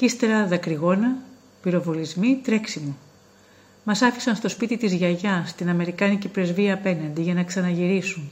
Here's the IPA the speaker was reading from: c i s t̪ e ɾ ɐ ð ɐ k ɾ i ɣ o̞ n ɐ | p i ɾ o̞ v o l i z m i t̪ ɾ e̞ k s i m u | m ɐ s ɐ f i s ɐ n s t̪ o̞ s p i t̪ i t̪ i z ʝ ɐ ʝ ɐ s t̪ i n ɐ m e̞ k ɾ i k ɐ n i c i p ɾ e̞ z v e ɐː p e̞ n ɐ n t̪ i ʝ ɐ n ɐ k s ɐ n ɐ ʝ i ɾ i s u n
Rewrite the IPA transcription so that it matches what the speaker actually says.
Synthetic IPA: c i s t̪ e ɾ ɐ ð ɐ k ɾ i ɣ o̞ n ɐ | p i ɾ o̞ v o l i z m i t̪ ɾ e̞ k s i m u | m ɐ s ɐ f i s ɐ n s t̪ o̞ s p i t̪ i t̪ i z ʝ ɐ ʝ ɐ s t̪ i n ɐ m e̞ ɾ i k ɐ n i c i p ɾ e̞ z v i ɐː p e̞ n ɐ n d̪ i ʝ ɐ n ɐ k s ɐ n ɐ ʝ i ɾ i s u n